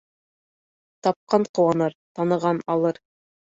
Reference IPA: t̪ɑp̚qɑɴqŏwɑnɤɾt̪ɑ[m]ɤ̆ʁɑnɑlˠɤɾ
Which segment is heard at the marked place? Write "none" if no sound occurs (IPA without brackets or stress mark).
n